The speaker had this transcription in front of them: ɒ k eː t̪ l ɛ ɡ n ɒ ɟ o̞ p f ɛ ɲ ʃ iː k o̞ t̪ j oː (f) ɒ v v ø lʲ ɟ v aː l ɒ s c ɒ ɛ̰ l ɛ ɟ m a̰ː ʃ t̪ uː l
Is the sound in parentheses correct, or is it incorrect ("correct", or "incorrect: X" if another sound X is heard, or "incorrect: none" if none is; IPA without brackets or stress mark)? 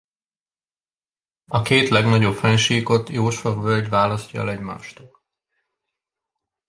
incorrect: ʃ